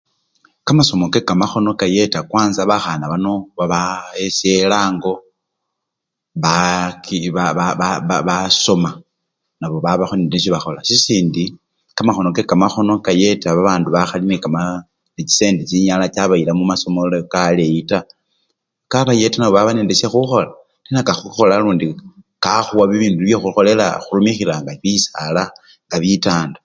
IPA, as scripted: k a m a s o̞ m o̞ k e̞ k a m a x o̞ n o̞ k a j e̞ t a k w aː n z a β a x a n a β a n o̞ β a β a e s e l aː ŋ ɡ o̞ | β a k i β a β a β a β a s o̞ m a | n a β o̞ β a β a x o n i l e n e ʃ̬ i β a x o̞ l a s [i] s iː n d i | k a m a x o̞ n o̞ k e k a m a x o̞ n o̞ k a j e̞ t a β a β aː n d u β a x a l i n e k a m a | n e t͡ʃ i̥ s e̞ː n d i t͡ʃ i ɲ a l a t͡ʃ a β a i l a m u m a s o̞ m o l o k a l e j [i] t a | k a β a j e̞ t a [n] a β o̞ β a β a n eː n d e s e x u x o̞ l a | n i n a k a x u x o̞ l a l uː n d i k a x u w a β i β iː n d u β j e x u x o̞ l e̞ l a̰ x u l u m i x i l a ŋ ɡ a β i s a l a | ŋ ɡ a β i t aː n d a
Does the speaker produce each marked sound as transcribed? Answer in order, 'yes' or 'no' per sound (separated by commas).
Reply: yes, yes, yes